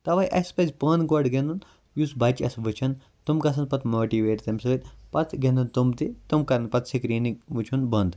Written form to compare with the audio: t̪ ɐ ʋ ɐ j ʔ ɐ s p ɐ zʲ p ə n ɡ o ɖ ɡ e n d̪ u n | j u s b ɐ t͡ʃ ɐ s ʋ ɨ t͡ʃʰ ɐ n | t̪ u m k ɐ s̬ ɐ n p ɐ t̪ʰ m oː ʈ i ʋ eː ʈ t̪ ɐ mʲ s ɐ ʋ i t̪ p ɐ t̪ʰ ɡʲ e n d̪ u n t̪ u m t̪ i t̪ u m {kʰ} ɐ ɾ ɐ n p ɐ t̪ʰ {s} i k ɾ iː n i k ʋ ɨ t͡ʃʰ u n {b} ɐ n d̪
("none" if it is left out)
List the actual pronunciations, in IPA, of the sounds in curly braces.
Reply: k, s, b

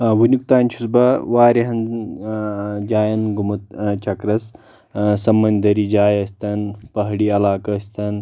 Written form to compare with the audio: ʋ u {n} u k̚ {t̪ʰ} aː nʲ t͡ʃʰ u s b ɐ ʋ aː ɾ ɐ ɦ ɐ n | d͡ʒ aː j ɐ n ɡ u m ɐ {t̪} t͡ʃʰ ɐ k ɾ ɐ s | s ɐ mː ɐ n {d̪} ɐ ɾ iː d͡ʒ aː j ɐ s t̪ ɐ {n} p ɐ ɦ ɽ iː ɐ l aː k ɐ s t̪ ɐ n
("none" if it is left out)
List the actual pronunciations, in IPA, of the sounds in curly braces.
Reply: n, t̪, t̪, d̪, n

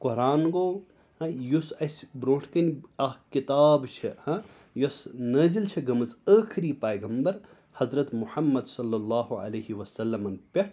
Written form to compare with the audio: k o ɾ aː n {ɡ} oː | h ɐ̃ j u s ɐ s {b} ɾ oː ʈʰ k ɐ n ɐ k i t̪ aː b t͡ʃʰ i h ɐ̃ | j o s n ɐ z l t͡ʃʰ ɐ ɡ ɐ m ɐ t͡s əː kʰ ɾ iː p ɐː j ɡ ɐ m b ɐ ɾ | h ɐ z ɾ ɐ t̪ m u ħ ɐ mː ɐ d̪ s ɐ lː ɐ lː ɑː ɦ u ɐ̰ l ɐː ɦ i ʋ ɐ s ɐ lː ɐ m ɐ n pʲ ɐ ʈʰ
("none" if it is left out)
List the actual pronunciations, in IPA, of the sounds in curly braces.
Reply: ɡ, b

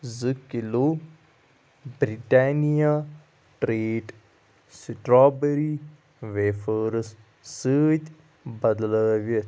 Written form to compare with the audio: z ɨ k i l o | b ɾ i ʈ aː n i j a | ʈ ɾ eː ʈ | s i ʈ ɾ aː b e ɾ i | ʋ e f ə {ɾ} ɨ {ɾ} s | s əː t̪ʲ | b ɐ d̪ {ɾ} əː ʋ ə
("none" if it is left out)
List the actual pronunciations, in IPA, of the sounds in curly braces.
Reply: ɾ, none, l

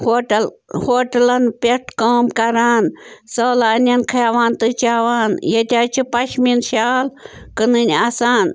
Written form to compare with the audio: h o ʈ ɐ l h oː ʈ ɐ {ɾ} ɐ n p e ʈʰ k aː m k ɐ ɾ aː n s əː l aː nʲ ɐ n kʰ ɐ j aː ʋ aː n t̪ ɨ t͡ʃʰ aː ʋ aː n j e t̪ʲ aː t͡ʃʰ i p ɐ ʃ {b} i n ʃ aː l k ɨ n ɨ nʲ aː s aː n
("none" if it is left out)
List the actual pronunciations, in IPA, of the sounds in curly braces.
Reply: l, m

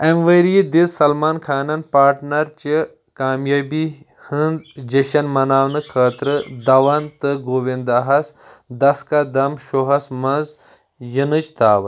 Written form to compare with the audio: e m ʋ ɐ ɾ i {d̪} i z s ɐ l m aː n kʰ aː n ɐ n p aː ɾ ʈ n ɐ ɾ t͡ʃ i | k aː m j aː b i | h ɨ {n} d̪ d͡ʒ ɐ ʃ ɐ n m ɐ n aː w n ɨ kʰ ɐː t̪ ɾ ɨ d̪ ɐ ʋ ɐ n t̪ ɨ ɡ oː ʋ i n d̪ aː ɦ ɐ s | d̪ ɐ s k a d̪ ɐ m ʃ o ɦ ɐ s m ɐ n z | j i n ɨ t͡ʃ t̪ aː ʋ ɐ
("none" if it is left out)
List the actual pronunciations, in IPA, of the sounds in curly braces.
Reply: d̪, n

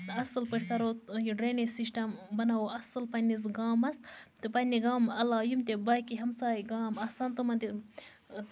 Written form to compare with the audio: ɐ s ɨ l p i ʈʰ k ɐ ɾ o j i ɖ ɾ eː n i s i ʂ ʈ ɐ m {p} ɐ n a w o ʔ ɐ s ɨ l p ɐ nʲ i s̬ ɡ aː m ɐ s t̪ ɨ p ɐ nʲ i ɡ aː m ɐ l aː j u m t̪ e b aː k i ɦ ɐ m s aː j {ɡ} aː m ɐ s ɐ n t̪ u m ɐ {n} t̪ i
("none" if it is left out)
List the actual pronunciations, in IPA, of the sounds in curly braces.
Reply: b, ɡ, n

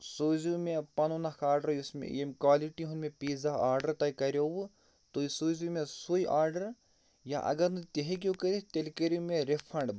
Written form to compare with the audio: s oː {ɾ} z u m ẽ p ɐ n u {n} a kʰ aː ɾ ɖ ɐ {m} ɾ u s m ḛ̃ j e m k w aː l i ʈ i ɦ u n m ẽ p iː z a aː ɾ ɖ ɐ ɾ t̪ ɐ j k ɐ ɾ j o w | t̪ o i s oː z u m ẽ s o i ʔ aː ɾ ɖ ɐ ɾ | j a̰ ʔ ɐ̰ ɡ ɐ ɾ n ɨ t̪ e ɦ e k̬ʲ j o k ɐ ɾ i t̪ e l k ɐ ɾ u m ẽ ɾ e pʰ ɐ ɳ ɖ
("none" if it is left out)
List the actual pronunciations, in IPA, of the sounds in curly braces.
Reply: none, n, none

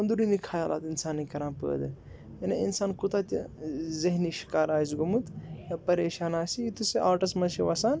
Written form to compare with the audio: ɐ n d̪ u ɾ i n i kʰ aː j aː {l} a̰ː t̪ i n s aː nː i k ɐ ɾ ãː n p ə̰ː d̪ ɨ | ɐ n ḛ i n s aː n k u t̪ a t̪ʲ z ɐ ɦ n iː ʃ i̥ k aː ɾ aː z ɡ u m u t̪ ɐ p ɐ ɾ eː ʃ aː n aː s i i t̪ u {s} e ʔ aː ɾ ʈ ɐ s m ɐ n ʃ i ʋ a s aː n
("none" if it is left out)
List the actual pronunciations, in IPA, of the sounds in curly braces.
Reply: l, s

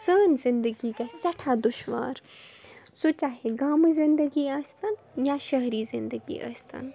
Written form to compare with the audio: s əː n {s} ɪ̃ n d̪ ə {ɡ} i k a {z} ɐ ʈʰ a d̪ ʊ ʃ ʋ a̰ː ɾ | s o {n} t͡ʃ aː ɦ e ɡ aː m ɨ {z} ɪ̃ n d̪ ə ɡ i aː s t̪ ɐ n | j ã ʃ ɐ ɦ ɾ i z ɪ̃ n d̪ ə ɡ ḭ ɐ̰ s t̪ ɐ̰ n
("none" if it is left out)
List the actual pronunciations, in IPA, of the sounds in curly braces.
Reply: z, ɡ, s, none, z

